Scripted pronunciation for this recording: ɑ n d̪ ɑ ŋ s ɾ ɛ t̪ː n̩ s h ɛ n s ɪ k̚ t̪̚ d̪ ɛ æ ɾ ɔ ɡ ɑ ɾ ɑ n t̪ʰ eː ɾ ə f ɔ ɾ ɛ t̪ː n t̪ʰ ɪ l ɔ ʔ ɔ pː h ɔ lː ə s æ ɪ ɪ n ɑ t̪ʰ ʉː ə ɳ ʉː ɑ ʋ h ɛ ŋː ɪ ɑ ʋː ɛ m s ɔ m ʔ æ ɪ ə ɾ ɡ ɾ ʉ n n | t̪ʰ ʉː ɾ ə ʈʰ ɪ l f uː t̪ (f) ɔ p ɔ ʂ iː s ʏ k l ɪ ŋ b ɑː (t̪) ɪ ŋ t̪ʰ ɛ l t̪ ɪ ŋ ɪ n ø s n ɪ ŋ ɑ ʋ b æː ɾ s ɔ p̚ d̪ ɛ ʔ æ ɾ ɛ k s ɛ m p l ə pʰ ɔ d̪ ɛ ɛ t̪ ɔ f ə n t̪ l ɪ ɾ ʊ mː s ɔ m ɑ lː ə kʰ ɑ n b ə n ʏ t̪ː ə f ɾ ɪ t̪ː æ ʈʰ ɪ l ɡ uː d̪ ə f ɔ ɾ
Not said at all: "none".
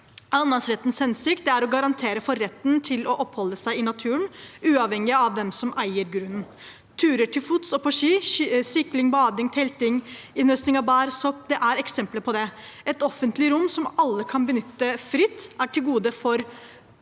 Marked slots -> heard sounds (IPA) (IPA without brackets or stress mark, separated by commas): s, d̪